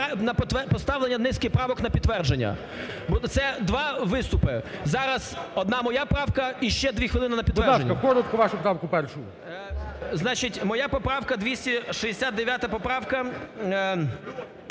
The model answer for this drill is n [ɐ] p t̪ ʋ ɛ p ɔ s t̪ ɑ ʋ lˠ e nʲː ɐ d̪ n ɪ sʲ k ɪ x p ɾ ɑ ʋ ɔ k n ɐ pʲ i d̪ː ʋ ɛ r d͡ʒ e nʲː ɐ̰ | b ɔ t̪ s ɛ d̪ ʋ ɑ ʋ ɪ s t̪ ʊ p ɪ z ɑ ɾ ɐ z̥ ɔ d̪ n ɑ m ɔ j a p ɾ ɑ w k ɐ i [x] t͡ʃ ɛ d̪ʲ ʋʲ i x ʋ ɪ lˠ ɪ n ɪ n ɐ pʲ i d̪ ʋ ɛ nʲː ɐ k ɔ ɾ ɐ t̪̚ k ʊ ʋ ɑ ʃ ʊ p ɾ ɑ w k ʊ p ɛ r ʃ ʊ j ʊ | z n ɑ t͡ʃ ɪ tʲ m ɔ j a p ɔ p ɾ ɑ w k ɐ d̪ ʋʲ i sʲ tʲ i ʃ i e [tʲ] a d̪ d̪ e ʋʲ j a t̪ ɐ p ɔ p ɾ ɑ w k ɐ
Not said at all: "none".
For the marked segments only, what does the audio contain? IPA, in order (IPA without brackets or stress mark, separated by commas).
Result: ɐ, ʃ, sʲ